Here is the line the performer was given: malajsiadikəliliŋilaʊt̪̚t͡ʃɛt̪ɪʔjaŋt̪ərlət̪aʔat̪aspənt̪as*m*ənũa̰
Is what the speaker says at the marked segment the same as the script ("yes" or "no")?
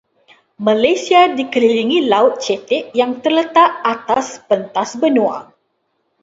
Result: no